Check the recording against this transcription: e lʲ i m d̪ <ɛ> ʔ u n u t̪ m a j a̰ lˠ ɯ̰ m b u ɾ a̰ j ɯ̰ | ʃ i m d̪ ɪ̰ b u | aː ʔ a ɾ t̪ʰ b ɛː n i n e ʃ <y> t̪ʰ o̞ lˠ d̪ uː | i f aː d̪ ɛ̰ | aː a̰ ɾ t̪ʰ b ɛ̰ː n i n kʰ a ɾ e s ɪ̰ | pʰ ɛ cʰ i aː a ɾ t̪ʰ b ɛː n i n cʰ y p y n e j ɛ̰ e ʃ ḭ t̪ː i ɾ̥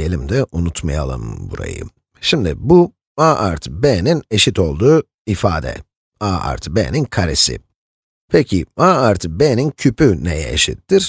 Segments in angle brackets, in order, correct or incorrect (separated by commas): correct, incorrect